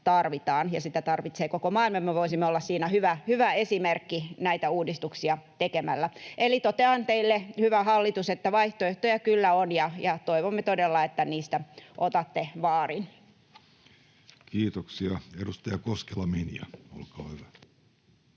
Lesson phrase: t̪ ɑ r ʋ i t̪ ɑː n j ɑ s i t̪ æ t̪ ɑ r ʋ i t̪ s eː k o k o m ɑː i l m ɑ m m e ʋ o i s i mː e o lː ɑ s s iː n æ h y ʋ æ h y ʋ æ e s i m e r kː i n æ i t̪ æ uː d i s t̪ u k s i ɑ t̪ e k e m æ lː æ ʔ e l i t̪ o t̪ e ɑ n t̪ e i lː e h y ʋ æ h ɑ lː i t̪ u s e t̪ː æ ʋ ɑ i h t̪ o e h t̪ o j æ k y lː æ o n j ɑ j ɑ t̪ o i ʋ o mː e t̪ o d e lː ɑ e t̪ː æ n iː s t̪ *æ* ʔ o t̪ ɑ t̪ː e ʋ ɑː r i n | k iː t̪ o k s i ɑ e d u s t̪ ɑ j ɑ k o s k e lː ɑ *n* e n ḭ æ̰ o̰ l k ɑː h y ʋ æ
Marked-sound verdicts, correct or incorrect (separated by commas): correct, incorrect